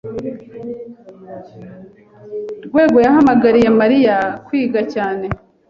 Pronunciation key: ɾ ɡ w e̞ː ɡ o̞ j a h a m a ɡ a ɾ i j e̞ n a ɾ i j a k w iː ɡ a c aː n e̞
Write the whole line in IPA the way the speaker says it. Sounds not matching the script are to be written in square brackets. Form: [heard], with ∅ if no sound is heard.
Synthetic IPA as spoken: ɾ ɡ w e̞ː ɡ o̞ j a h a m a ɡ a ɾ i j e̞ [m] a ɾ i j a k w iː ɡ a c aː n e̞